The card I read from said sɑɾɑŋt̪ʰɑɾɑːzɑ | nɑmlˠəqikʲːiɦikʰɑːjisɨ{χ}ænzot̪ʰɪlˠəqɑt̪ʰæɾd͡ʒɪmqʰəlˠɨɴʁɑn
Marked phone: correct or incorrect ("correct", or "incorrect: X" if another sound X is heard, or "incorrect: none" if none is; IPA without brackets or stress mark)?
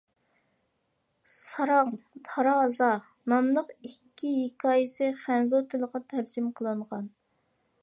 correct